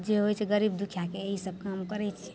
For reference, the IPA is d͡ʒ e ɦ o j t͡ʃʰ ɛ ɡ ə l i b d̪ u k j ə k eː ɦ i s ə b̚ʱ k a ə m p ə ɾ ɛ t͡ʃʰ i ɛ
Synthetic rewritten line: d͡ʒ e ɦ o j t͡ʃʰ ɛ ɡ ə ɾ i b d̪ u kʰ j a k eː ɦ i s ə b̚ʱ k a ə m k ə ɾ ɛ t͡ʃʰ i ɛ